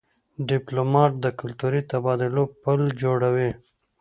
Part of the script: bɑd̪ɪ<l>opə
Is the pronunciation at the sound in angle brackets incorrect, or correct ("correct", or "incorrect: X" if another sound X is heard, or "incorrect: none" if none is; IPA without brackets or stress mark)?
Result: correct